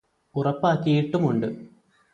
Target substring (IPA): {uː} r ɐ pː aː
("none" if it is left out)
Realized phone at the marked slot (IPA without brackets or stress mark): u